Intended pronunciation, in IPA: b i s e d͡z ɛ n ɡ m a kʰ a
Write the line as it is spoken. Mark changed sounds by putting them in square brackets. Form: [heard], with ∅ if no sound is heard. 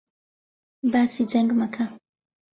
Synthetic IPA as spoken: b [a] s [i] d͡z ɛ [ŋ] ɡ m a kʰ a